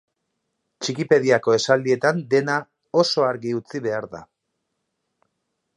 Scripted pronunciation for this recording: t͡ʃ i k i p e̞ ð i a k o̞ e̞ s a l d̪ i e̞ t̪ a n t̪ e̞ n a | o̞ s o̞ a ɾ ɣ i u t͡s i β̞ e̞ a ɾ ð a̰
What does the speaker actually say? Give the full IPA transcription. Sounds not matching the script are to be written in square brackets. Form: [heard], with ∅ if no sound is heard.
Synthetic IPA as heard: t͡ʃ i k i p e̞ ð i a k o̞ e̞ s a l d̪ i e̞ t̪ a n [d̪] e̞ n a | o̞ s o̞ a ɾ ɣ i u t͡s i β̞ e̞ a ɾ ð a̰